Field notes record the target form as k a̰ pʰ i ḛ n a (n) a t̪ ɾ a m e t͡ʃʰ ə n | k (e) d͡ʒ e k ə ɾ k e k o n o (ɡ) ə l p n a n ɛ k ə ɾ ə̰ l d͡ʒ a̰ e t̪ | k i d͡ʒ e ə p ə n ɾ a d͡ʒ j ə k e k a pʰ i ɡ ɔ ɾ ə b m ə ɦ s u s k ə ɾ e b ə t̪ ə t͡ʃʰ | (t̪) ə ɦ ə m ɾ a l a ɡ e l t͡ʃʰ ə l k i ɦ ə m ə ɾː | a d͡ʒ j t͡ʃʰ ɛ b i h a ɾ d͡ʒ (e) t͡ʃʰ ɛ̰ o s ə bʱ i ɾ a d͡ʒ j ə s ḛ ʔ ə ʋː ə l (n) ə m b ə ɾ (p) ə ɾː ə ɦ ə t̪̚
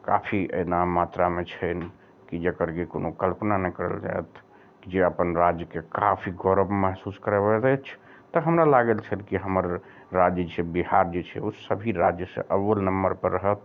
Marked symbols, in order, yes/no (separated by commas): no, no, no, yes, yes, yes, yes